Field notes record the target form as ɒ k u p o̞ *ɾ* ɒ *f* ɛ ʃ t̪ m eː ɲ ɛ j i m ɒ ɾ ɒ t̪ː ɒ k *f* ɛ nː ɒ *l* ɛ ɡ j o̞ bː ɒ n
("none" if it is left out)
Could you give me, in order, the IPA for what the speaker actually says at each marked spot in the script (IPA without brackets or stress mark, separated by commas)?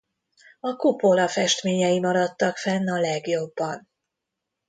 l, f, f, l